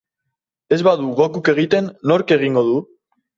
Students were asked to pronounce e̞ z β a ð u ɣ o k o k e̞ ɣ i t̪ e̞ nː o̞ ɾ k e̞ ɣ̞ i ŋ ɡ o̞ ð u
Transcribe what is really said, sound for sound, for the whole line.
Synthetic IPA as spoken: e̞ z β a ð u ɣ o k u k e̞ ɣ i t̪ e̞ nː o̞ ɾ k e̞ ɣ̞ i ŋ ɡ o̞ ð u